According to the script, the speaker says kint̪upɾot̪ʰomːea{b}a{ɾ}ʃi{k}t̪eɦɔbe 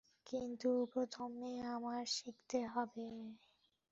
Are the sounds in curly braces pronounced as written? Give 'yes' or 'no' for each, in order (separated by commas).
no, yes, yes